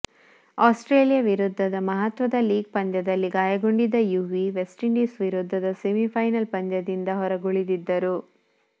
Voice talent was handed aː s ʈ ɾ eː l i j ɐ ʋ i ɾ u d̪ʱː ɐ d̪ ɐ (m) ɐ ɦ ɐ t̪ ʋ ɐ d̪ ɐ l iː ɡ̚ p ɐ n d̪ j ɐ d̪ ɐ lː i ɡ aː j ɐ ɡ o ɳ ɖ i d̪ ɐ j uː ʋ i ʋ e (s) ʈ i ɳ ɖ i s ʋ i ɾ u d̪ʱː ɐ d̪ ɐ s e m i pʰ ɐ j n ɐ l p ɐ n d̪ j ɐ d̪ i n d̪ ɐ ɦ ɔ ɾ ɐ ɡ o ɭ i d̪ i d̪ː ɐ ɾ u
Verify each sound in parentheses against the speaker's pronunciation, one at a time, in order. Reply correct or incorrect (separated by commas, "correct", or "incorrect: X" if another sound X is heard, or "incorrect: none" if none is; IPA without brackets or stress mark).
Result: correct, correct